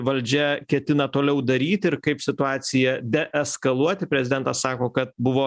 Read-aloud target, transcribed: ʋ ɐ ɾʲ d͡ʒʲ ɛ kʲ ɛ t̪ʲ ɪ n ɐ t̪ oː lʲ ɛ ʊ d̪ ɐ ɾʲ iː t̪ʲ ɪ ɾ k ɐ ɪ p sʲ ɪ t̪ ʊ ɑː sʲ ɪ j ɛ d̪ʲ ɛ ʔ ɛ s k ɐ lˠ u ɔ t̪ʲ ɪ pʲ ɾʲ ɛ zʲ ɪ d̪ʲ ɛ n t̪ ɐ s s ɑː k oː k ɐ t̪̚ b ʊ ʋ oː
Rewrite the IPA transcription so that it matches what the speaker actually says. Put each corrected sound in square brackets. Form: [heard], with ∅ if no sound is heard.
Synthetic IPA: ʋ ɐ [lʲ] d͡ʒʲ ɛ kʲ ɛ t̪ʲ ɪ n ɐ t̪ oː lʲ ɛ ʊ d̪ ɐ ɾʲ iː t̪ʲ ɪ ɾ k ɐ ɪ p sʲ ɪ t̪ ʊ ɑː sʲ ɪ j ɛ d̪ʲ ɛ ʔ ɛ s k ɐ lˠ u ɔ t̪ʲ ɪ pʲ ɾʲ ɛ zʲ ɪ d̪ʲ ɛ n t̪ ɐ s s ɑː k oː k ɐ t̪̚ b ʊ ʋ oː

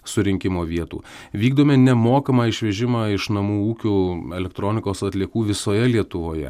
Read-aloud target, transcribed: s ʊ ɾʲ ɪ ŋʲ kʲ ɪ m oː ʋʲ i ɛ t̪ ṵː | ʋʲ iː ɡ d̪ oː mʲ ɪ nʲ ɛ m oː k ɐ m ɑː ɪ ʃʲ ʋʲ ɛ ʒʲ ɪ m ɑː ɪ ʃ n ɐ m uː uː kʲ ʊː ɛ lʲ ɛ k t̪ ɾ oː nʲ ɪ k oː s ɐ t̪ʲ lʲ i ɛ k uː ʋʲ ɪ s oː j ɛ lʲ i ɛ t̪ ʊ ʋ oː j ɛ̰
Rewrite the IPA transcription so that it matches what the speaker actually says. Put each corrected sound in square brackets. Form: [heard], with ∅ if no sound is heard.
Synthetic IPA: s ʊ ɾʲ ɪ ŋʲ kʲ ɪ m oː ʋʲ i ɛ t̪ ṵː | ʋʲ iː ɡ d̪ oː mʲ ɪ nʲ ɛ m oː k ɐ m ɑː ɪ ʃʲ ʋʲ ɛ ʒʲ ɪ m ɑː ɪ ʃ n ɐ m uː uː kʲ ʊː ɛ lʲ ɛ k t̪ ɾ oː nʲ ɪ k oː s ɐ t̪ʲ lʲ i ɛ k uː ʋʲ ɪ s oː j ɛ lʲ i ɛ t̪ ʊ ʋ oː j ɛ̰

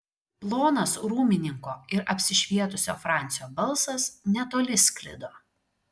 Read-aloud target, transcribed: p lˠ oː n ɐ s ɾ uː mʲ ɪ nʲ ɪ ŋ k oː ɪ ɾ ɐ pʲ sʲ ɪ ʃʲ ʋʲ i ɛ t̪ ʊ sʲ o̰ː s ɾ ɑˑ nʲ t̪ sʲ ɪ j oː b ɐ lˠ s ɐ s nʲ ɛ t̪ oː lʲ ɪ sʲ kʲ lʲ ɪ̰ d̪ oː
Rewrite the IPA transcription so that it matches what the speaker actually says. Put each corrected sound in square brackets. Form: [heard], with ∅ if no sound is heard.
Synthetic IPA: p lˠ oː n ɐ s ɾ uː mʲ ɪ nʲ ɪ ŋ k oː ɪ ɾ ɐ pʲ sʲ ɪ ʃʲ ʋʲ i ɛ t̪ ʊ sʲ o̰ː [f] ɾ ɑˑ nʲ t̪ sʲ ɪ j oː b ɐ lˠ s ɐ s nʲ ɛ t̪ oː lʲ ɪ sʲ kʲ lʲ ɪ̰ d̪ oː

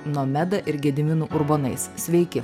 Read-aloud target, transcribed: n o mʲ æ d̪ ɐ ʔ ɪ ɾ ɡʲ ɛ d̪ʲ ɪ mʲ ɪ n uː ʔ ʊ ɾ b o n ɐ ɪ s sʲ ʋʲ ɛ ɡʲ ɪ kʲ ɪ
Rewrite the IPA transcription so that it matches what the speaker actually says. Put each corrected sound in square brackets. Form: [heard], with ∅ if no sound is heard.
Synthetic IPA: n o mʲ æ d̪ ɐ ʔ ɪ ɾ ɡʲ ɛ d̪ʲ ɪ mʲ ɪ n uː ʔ ʊ ɾ b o n ɐ ɪ s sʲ ʋʲ ɛ [∅] ɪ kʲ ɪ

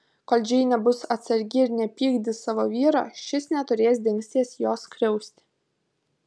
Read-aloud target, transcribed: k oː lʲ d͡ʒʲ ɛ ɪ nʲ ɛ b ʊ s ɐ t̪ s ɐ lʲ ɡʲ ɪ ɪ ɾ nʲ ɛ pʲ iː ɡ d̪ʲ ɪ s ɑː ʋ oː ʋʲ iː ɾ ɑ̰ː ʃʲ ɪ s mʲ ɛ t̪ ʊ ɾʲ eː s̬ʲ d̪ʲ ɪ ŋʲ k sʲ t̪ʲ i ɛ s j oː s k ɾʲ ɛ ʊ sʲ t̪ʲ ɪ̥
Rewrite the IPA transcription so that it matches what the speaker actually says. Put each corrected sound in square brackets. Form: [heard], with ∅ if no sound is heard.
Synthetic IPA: k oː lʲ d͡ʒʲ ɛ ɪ nʲ ɛ b ʊ s ɐ t̪ s ɐ [ɾʲ] ɡʲ ɪ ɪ ɾ nʲ ɛ pʲ iː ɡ d̪ʲ ɪ s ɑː ʋ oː ʋʲ iː ɾ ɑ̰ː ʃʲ ɪ s [nʲ] ɛ t̪ ʊ ɾʲ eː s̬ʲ d̪ʲ ɪ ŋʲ k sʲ t̪ʲ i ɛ s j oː s k ɾʲ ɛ ʊ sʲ t̪ʲ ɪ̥

